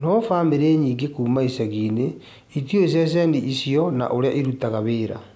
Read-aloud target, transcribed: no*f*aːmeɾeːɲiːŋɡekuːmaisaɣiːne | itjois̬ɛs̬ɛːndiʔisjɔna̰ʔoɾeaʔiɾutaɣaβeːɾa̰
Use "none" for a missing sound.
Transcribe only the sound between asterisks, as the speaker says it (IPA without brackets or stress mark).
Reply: f